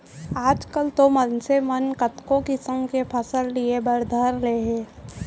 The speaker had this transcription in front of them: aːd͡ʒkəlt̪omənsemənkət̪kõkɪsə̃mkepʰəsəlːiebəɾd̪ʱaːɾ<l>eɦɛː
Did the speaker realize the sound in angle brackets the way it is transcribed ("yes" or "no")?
yes